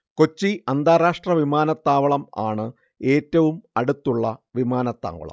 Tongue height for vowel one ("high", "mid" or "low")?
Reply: mid